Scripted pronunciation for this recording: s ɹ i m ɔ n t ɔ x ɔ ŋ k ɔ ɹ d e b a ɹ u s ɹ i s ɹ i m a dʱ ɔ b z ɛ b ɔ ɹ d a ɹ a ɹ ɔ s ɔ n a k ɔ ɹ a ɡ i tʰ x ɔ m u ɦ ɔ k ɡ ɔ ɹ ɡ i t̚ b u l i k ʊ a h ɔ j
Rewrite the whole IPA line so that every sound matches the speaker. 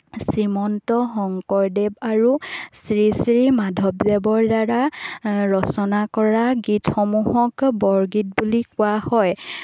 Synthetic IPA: s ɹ i m ɔ n t ɔ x ɔ ŋ k ɔ ɹ d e b a ɹ u s ɹ i s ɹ i m a dʱ ɔ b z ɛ b ɔ ɹ d a ɹ a ɹ ɔ s ɔ n a k ɔ ɹ a ɡ i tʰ x ɔ m u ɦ ɔ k b ɔ ɹ ɡ i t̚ b u l i k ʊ a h ɔ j